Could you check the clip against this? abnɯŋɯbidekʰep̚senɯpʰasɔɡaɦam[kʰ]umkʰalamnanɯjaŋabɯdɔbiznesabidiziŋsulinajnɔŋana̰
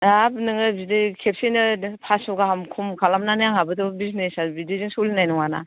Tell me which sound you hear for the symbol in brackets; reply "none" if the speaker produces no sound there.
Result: kʰ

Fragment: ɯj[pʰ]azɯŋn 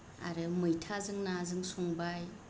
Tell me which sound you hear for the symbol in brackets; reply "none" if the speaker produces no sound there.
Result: tʰ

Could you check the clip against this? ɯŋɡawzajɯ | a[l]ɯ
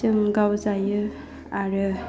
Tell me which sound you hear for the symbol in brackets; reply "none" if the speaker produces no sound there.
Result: ɾ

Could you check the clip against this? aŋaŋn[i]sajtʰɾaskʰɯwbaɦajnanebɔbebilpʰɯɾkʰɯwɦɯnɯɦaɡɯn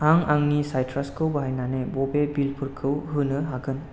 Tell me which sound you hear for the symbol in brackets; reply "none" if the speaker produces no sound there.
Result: i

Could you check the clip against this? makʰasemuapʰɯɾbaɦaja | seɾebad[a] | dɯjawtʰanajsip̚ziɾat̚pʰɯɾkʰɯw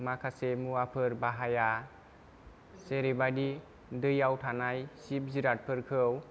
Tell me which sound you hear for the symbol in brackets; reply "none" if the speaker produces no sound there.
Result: i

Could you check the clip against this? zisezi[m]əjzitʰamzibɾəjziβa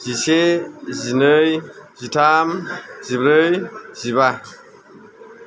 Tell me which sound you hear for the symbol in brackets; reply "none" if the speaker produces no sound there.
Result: n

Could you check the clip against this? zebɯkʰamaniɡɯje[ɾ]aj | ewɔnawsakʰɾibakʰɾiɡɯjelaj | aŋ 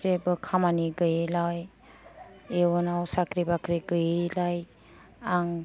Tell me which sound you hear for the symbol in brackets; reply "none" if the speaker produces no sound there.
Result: l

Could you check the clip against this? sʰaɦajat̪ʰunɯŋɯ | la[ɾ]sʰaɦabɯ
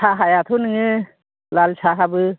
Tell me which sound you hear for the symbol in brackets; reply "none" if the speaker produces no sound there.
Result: l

